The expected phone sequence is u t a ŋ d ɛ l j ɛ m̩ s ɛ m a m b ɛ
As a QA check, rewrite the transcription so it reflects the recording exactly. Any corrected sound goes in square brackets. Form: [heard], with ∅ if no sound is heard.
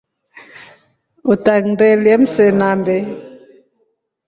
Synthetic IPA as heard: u t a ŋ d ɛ l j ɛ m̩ s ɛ [n] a m b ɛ